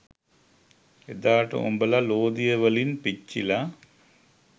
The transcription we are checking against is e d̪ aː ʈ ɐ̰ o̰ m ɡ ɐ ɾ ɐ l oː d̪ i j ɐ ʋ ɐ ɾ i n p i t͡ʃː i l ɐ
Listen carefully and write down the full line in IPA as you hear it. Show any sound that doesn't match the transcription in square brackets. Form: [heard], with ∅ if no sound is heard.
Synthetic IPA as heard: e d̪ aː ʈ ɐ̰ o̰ m [b] ɐ [l] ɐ l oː d̪ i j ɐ ʋ ɐ [l] i n p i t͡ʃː i l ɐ